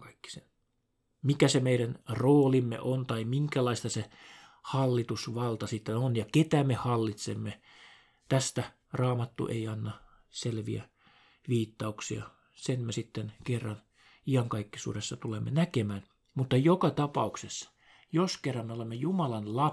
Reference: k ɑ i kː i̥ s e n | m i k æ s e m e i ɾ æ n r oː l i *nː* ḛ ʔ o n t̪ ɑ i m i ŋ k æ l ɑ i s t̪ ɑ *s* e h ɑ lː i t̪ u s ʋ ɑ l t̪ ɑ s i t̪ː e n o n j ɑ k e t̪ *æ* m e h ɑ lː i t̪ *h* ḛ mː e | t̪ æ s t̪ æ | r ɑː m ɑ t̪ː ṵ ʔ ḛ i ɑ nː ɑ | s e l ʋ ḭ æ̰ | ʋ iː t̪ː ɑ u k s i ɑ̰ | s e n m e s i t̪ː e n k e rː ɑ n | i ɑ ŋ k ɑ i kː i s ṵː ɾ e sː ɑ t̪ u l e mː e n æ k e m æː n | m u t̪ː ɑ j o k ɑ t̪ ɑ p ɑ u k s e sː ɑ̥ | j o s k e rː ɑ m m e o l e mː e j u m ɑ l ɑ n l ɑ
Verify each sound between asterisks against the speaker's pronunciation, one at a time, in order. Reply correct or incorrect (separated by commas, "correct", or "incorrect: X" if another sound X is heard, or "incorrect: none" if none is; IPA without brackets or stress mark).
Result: incorrect: mː, correct, correct, incorrect: s